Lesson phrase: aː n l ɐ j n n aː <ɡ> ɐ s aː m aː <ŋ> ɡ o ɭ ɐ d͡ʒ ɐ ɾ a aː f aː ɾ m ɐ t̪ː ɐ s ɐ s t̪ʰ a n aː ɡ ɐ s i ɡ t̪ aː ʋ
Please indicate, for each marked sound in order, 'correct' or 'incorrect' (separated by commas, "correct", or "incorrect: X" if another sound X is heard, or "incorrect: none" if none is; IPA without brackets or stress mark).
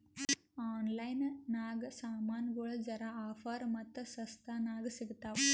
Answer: correct, incorrect: n